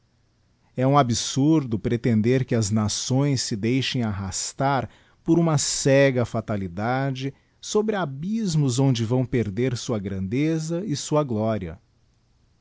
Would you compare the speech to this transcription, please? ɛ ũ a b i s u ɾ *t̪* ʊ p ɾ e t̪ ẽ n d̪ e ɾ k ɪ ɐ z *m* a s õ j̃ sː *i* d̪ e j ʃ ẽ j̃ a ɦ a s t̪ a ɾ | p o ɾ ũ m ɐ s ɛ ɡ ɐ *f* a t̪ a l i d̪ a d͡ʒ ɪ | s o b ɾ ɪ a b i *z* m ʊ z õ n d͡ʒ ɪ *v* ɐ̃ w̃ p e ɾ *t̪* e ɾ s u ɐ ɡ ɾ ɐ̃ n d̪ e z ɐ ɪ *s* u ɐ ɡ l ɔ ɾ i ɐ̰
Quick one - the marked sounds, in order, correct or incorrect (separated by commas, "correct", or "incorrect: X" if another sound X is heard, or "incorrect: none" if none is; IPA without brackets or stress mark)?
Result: incorrect: d̪, incorrect: n, incorrect: ɪ, correct, correct, correct, incorrect: d̪, correct